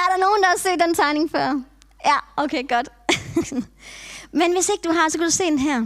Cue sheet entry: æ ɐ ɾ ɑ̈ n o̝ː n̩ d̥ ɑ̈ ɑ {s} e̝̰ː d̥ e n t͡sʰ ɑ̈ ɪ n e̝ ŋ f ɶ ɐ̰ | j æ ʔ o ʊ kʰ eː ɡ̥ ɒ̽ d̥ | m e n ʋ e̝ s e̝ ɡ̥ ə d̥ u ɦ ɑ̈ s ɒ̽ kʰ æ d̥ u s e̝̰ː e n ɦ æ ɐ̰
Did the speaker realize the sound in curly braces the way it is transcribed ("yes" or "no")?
yes